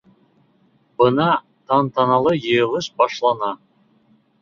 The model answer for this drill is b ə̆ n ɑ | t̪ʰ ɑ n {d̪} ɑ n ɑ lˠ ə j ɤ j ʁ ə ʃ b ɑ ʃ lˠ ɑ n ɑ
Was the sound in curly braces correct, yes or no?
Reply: no